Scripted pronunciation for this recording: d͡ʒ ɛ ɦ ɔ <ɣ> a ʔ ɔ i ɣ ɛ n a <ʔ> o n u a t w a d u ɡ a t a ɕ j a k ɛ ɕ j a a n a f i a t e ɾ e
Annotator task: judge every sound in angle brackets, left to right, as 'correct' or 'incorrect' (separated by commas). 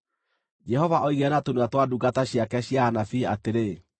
incorrect, incorrect